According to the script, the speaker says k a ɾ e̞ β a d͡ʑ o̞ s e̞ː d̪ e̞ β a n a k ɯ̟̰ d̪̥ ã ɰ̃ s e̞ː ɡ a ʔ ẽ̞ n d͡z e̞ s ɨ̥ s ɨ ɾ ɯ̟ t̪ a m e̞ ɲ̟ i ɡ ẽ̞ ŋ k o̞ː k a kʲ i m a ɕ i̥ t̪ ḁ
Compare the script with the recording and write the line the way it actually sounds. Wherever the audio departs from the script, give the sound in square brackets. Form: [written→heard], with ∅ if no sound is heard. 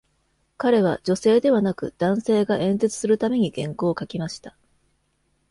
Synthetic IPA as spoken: k a ɾ e̞ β a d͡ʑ o̞ s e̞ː d̪ e̞ β a n a k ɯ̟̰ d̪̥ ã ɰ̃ s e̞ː ɡ a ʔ ẽ̞ n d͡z e̞ [s→t͡s] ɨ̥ s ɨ ɾ ɯ̟ t̪ a m e̞ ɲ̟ i ɡ ẽ̞ ŋ k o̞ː k a kʲ i m a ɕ i̥ t̪ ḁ

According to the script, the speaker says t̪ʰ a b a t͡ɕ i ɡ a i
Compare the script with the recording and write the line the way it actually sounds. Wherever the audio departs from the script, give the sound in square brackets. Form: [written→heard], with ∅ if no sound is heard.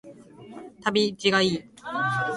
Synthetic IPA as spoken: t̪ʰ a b [a→i] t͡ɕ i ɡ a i

